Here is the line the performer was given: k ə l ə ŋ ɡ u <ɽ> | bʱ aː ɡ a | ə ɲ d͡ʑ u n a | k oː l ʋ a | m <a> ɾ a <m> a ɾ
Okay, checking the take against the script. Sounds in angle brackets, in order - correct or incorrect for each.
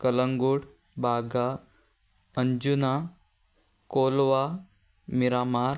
correct, incorrect: i, correct

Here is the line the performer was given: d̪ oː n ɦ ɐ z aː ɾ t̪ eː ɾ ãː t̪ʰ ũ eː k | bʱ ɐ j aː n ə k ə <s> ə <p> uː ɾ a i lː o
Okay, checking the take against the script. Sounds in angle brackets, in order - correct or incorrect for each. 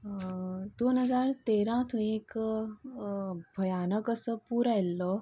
correct, correct

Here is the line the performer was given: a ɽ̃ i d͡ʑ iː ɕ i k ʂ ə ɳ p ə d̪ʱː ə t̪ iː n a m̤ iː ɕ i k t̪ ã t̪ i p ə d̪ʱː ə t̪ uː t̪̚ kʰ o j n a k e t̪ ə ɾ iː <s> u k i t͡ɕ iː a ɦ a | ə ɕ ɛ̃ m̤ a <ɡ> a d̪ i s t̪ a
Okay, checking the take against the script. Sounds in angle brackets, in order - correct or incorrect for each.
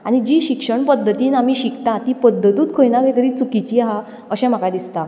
incorrect: t͡s, incorrect: k

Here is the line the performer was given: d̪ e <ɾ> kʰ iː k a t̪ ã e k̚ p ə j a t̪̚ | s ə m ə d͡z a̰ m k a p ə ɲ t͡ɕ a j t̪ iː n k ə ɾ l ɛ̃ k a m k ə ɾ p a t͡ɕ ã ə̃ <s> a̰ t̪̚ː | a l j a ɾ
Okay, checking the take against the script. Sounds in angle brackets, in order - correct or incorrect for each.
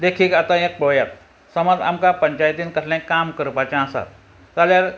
incorrect: none, correct

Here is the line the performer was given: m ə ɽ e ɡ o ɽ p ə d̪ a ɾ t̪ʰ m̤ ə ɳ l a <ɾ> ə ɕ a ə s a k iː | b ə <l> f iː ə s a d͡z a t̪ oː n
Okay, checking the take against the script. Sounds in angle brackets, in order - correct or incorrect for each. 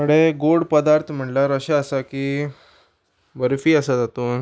correct, incorrect: ɾ

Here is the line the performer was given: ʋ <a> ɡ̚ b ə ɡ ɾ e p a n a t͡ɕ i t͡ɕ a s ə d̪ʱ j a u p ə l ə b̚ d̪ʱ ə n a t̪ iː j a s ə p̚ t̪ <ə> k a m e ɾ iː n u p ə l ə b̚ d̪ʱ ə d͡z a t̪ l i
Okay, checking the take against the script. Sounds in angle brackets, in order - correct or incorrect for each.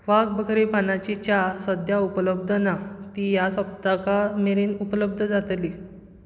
correct, incorrect: a

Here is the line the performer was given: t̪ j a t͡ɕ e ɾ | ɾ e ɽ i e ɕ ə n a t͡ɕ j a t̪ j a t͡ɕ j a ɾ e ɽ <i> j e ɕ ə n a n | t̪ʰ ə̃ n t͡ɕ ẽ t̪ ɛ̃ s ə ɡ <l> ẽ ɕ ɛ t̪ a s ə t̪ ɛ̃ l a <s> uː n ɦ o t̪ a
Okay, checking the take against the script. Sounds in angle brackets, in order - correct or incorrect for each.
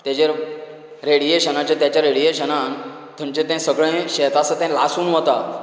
correct, incorrect: ɭ, correct

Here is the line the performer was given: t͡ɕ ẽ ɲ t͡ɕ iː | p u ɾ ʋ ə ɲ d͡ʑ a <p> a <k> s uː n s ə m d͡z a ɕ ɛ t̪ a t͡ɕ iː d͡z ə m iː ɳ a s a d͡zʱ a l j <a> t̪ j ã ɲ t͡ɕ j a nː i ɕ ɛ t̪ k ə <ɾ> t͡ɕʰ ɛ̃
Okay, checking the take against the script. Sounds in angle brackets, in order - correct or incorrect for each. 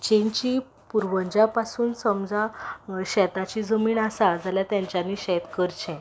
correct, incorrect: none, correct, correct

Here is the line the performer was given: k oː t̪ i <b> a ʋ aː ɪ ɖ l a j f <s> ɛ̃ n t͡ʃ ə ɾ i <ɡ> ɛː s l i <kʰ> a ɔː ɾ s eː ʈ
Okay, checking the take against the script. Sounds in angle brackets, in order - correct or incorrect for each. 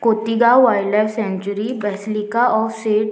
incorrect: ɡ, correct, incorrect: b, incorrect: k

